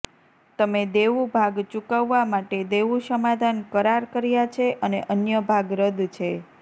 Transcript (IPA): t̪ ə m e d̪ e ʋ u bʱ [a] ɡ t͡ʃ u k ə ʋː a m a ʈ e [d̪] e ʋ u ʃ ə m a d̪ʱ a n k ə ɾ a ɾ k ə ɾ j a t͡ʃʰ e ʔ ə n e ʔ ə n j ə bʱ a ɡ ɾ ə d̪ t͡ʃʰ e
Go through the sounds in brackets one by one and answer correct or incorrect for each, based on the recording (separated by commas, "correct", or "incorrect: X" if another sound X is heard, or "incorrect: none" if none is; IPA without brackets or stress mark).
correct, correct